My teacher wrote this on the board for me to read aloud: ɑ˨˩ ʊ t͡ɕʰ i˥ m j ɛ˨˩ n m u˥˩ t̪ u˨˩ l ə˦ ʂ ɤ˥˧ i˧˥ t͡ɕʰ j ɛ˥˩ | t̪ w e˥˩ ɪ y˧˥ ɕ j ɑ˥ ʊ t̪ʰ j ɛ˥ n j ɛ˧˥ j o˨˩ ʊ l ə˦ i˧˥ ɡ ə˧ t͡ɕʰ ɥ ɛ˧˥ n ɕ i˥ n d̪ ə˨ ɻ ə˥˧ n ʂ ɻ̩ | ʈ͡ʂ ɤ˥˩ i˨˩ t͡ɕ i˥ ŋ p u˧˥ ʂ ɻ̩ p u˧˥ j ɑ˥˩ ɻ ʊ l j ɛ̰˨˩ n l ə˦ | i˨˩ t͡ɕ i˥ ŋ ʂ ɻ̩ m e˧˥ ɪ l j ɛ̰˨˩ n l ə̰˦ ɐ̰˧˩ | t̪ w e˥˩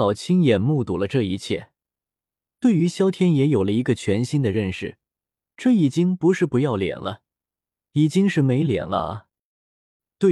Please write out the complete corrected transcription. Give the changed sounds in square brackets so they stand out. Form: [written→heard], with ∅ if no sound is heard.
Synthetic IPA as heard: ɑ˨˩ ʊ t͡ɕʰ i˥ [m→ŋ] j ɛ˨˩ n m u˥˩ t̪ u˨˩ l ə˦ [ʂ→ʈ͡ʂ] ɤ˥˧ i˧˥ t͡ɕʰ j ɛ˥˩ | t̪ w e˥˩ ɪ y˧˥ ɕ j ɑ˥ ʊ t̪ʰ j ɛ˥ n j ɛ˧˥ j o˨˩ ʊ l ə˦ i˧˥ ɡ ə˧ t͡ɕʰ ɥ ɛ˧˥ n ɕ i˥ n d̪ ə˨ ɻ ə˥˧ n ʂ ɻ̩ | ʈ͡ʂ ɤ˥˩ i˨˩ t͡ɕ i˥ ŋ p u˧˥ ʂ ɻ̩ p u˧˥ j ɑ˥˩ [ɻ→∅] ʊ l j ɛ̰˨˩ n l ə˦ | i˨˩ t͡ɕ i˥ ŋ ʂ ɻ̩ m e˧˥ ɪ l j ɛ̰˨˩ n l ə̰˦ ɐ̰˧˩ | t̪ w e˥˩